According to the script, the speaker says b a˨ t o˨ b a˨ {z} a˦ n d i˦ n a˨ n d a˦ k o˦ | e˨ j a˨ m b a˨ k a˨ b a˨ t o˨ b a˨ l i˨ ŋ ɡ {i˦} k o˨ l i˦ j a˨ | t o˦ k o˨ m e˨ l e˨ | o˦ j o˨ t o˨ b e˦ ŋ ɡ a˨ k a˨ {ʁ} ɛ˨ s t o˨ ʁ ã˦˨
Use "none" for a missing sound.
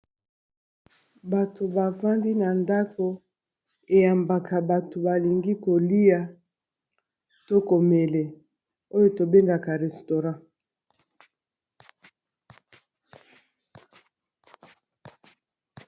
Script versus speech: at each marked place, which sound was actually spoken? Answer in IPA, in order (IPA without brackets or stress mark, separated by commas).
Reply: v, i˦, ʁ